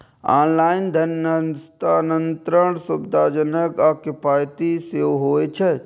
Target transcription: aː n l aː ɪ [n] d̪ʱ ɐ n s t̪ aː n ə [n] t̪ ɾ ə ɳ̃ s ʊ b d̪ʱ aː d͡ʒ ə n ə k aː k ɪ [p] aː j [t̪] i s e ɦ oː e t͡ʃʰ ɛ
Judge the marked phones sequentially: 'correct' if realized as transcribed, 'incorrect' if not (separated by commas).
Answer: correct, correct, correct, correct